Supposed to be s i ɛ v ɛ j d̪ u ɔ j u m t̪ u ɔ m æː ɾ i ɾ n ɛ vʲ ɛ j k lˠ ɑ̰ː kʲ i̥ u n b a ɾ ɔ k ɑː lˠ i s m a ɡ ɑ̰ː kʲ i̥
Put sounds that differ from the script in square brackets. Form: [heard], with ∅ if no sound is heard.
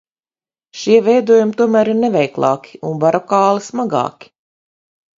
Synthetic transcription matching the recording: [ʃ] i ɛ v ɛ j d̪ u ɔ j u m t̪ u ɔ m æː ɾ i ɾ n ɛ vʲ ɛ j k lˠ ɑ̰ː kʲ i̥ u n b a ɾ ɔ k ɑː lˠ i s m a ɡ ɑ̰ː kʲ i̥